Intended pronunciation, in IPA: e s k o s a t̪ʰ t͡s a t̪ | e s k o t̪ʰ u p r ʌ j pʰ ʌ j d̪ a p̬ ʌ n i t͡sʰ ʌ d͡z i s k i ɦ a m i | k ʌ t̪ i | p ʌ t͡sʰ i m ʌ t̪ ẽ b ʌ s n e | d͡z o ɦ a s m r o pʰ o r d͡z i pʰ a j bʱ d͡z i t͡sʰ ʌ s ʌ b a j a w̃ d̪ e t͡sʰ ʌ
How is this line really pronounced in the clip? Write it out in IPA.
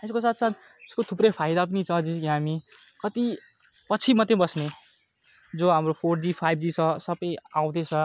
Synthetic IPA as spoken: e s k o s a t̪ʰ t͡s a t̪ | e s k o t̪ʰ u p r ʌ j pʰ a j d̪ a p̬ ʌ n i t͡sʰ ʌ d͡z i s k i ɦ a m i | k ʌ t̪ i | p ʌ t͡sʰ i m ʌ t̪ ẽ b ʌ s n e | d͡z o ɦ a m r o pʰ o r d͡z i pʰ a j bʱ d͡z i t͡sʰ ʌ s ʌ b ʌ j a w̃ d̪ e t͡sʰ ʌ